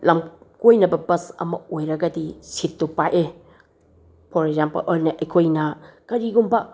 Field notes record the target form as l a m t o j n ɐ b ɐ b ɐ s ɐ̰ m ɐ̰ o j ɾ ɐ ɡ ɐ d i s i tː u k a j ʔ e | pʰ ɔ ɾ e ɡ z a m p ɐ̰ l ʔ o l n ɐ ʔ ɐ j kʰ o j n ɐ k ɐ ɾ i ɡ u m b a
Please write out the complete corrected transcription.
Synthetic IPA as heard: l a m k o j n ɐ b ɐ b ɐ s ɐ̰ m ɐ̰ o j ɾ ɐ ɡ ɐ d i s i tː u p a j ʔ e | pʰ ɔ ɾ e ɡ z a m p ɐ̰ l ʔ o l n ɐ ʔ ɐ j kʰ o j n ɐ k ɐ ɾ i ɡ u m b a